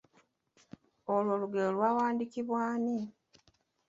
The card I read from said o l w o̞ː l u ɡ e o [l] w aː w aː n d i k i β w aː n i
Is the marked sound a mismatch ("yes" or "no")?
no